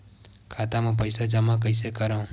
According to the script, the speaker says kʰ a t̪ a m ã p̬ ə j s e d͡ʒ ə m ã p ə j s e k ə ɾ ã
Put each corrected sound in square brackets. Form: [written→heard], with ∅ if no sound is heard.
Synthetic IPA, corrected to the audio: kʰ a t̪ a m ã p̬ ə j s [e→a] d͡ʒ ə m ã [p→k] ə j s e k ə ɾ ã